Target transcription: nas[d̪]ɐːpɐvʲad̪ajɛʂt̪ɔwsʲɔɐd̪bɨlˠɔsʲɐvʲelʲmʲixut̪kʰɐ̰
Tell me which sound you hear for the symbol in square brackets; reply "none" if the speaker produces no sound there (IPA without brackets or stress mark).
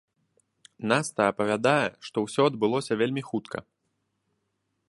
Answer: t̪